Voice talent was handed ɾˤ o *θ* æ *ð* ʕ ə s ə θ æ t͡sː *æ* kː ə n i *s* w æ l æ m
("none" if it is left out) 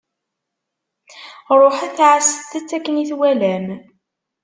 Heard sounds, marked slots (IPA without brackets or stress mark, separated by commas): ħ, θ, æ, θ